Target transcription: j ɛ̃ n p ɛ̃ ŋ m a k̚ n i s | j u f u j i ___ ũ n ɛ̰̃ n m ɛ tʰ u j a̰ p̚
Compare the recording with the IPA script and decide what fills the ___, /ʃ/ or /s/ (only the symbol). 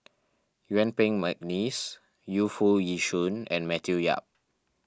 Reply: ʃ